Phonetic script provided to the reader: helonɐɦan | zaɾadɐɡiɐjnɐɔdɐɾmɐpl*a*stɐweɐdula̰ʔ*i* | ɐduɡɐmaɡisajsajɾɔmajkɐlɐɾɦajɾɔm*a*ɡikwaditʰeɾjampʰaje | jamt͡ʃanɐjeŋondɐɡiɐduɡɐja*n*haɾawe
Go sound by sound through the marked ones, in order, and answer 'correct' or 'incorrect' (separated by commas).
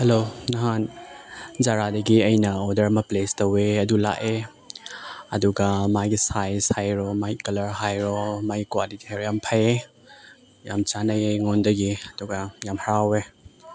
incorrect, incorrect, correct, incorrect